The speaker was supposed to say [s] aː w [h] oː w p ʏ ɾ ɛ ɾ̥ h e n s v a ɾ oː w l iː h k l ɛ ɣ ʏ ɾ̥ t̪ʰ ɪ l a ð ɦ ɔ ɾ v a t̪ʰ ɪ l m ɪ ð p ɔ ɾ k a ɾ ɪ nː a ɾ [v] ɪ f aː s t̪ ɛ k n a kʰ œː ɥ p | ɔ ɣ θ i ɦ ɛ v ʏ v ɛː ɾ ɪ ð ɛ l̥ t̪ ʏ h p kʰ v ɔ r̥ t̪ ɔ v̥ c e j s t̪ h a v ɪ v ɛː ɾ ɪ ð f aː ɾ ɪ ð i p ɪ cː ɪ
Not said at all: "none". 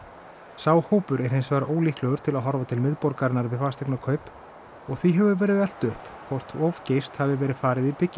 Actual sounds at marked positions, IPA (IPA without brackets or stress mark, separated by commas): s, h, v